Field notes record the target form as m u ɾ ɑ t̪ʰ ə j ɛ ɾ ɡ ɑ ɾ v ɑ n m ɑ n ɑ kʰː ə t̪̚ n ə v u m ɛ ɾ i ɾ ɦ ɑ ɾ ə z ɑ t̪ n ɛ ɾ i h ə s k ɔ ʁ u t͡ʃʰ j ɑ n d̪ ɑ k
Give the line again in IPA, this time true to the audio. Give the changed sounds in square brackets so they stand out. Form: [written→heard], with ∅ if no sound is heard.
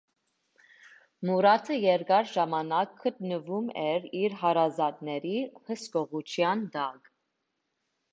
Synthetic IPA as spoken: m u ɾ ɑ t̪ʰ ə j ɛ ɾ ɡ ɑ ɾ [v→ʒ] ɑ [n→∅] m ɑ n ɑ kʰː ə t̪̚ n ə v u m ɛ ɾ i ɾ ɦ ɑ ɾ [ə→ɑ] z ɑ t̪ n ɛ ɾ i h ə s k ɔ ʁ u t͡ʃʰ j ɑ n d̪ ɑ k